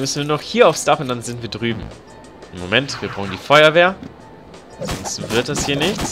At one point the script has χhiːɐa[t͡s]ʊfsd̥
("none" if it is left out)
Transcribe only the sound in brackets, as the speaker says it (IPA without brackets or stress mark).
none